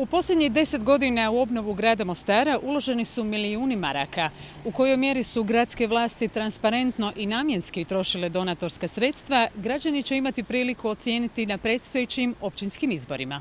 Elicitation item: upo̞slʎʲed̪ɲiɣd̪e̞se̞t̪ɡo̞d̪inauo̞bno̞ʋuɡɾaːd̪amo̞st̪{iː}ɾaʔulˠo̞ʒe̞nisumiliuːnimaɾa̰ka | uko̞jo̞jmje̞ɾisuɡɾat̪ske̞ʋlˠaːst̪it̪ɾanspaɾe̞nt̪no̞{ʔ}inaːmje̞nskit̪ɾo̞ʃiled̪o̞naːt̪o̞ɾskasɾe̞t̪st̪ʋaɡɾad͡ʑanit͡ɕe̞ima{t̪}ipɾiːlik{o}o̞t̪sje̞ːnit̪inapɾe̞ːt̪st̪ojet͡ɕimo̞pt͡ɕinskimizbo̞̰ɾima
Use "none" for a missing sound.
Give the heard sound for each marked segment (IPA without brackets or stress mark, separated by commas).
aː, ʔ, t̪, u